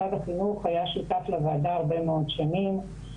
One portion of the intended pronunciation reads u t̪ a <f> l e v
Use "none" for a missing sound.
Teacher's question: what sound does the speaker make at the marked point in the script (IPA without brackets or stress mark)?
f